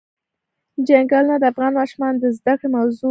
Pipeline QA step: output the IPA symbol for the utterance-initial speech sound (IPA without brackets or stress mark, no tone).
d͡ʒ